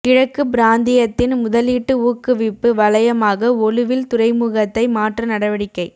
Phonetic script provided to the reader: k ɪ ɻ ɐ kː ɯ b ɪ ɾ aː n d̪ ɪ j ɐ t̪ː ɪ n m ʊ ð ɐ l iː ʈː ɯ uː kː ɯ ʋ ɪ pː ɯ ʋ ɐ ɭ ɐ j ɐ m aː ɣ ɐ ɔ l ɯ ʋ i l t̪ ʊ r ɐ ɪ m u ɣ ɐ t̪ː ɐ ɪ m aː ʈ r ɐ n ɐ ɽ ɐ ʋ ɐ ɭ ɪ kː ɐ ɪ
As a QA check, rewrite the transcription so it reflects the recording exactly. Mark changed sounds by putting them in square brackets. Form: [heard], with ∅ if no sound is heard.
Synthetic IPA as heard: k ɪ ɻ ɐ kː ɯ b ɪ ɾ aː n d̪ ɪ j ɐ t̪ː ɪ n m ʊ ð ɐ l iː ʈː ɯ uː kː ɯ ʋ ɪ pː ɯ ʋ ɐ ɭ ɐ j ɐ m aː ɣ ɐ ɔ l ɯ ʋ [ɪ] l t̪ ʊ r ɐ ɪ m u ɣ ɐ t̪ː ɐ ɪ m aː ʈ r ɐ n ɐ ɽ ɐ ʋ ɐ [ɽ] ɪ kː ɐ ɪ